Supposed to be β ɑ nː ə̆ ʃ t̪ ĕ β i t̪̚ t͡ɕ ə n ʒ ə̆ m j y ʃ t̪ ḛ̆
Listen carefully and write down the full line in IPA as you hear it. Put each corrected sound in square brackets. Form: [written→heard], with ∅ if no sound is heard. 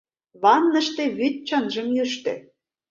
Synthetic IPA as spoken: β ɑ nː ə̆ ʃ t̪ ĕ β [i→y] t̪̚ t͡ɕ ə n ʒ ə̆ m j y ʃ t̪ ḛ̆